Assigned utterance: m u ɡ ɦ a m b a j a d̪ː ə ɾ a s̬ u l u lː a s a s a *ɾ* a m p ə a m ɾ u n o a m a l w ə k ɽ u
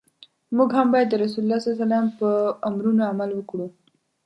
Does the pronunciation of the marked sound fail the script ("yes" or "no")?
yes